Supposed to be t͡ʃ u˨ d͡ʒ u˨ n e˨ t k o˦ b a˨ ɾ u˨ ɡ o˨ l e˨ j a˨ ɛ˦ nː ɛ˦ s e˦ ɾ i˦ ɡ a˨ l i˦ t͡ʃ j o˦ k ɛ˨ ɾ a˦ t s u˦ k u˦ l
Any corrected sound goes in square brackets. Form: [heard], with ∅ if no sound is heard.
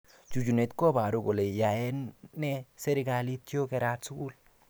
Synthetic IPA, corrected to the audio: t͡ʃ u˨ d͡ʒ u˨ n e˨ t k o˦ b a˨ ɾ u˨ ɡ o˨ l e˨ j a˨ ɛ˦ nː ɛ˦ s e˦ ɾ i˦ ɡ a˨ l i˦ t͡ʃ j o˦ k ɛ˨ ɾ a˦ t s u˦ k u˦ l